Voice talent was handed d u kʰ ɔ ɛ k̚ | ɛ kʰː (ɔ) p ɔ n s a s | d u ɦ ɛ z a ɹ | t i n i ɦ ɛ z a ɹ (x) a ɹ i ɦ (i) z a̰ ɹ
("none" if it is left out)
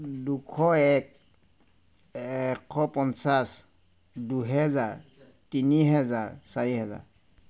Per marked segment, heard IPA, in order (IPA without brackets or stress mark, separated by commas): ɔ, s, ɛ